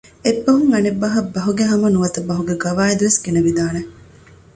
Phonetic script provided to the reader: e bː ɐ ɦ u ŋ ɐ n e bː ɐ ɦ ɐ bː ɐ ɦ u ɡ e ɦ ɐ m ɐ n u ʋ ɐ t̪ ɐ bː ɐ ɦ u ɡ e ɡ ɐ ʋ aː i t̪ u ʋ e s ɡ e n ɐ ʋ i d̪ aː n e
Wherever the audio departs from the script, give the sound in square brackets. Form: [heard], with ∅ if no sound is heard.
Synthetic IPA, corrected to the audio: e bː ɐ ɦ u ŋ ɐ n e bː ɐ ɦ ɐ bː ɐ ɦ u ɡ e ɦ ɐ m ɐ n u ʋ ɐ t̪ ɐ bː ɐ ɦ u ɡ e ɡ ɐ ʋ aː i [d̪] u ʋ e s ɡ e n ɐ ʋ i d̪ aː n e